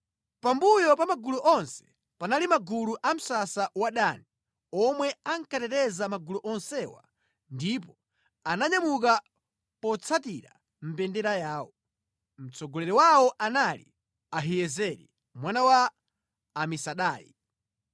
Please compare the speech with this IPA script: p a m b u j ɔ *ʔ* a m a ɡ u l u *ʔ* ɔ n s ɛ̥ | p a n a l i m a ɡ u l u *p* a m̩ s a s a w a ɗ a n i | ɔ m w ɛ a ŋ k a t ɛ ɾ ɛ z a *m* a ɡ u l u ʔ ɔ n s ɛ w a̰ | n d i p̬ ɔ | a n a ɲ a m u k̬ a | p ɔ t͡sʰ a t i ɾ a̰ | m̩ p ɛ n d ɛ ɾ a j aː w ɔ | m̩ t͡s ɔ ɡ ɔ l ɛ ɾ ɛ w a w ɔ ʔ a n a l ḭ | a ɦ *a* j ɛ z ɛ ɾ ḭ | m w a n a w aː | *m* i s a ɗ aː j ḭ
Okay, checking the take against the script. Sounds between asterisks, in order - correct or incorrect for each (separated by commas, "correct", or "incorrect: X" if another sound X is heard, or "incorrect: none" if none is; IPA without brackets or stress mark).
incorrect: p, correct, incorrect: ʔ, correct, incorrect: i, correct